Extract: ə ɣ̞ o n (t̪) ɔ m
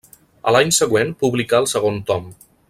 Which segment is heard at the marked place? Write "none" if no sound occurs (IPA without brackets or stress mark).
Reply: t̪